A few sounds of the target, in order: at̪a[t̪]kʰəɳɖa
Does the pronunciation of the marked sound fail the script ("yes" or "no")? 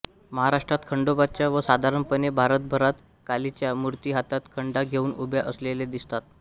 no